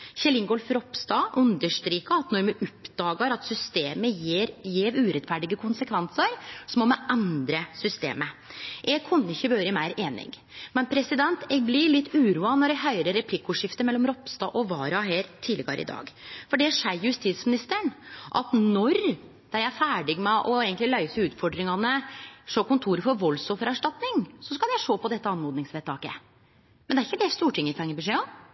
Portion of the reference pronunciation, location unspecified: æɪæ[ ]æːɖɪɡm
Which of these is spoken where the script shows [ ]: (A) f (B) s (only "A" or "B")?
A